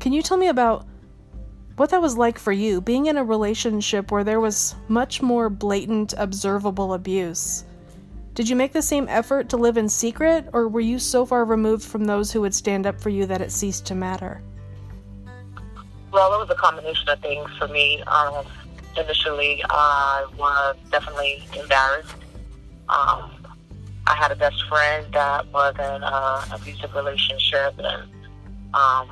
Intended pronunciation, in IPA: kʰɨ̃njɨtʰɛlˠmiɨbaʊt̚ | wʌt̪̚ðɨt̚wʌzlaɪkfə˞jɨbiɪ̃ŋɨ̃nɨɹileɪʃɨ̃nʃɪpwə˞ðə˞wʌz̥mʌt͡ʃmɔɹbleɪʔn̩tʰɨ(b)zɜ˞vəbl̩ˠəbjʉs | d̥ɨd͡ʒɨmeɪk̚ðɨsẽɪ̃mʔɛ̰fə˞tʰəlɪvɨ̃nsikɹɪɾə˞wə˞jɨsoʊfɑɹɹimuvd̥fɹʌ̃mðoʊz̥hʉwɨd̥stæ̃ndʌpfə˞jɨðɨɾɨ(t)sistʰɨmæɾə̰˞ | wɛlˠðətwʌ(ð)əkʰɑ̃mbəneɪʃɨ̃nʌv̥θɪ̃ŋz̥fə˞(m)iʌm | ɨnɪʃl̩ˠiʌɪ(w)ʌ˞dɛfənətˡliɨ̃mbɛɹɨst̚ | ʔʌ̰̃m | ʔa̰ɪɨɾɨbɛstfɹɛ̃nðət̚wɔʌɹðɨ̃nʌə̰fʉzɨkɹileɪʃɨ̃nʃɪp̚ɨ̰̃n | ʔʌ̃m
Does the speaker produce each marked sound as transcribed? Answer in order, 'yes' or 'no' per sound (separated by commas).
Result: yes, yes, no, yes, yes